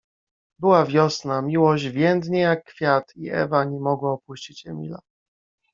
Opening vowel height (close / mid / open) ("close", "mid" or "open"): mid